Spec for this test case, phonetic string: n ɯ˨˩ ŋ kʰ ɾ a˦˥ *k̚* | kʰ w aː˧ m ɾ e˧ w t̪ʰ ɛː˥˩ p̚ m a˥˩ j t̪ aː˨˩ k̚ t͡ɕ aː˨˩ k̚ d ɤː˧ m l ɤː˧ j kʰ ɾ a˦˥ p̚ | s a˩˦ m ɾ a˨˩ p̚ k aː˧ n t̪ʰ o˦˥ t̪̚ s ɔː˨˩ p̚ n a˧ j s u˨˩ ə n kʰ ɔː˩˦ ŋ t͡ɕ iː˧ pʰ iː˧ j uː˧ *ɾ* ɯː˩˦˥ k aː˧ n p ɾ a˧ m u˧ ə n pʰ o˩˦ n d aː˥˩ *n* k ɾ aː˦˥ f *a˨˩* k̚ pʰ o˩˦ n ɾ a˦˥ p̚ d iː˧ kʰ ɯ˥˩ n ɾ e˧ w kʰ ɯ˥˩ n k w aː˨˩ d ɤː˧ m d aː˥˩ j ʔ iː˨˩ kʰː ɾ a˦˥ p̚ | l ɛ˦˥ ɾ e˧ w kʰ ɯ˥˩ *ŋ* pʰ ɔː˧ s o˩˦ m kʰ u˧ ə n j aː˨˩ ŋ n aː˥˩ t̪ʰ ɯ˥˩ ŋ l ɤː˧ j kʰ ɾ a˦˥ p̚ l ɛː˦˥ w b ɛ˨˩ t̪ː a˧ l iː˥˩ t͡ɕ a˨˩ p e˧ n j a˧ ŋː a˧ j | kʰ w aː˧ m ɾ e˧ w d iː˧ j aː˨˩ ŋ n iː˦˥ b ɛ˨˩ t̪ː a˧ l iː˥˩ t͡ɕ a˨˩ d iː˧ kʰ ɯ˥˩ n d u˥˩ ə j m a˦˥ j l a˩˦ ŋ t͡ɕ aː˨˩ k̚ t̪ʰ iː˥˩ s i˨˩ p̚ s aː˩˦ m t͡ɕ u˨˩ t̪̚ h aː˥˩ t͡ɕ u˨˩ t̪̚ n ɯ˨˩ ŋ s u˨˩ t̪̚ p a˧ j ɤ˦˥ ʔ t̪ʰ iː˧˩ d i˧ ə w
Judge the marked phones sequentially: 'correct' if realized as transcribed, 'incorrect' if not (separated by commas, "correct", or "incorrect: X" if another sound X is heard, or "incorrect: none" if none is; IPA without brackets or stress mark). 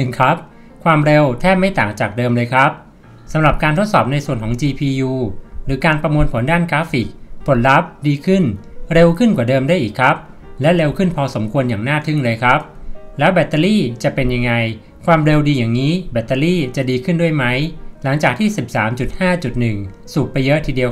incorrect: p̚, correct, correct, incorrect: i˨˩, incorrect: n